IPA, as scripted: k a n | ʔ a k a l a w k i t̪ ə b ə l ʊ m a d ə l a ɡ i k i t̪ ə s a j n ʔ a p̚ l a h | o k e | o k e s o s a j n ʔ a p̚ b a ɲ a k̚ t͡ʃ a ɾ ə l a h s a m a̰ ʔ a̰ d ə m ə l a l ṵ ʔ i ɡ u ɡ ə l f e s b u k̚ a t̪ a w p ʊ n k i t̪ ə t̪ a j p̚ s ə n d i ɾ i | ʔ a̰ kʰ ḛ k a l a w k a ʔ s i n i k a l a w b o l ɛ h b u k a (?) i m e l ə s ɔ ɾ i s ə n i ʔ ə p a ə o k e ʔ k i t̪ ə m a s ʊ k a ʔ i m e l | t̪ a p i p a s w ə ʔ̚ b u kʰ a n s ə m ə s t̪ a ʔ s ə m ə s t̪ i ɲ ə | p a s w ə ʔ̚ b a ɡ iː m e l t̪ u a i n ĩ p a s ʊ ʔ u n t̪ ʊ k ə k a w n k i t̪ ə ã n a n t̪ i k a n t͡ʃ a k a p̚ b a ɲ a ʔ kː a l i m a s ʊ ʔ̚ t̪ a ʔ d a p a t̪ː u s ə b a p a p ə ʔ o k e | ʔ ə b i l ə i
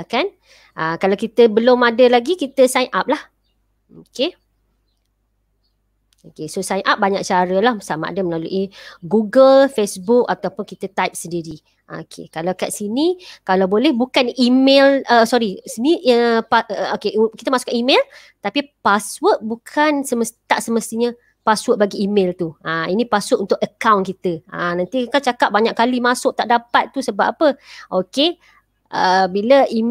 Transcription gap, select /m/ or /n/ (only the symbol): n